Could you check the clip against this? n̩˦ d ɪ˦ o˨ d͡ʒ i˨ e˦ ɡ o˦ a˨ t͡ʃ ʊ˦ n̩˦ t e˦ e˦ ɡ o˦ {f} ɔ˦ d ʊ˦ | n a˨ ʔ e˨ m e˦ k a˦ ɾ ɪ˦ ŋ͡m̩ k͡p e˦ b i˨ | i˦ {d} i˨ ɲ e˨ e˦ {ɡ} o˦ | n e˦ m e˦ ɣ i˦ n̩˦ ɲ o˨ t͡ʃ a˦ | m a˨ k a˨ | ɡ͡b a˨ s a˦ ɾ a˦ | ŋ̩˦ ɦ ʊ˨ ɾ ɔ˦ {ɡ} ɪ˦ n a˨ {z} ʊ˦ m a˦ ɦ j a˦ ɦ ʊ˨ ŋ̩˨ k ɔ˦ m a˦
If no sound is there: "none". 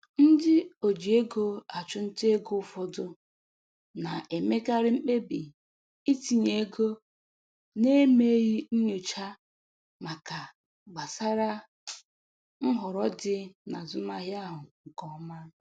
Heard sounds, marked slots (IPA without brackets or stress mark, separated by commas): f, t, ɡ, d, z